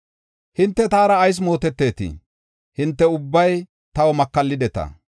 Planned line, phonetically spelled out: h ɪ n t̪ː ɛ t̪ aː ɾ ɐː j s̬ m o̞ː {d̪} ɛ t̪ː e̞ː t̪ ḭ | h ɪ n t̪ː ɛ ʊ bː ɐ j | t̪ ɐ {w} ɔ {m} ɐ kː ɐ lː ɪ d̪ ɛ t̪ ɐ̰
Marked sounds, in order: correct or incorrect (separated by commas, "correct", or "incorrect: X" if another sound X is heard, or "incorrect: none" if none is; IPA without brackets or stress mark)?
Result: incorrect: t̪, correct, correct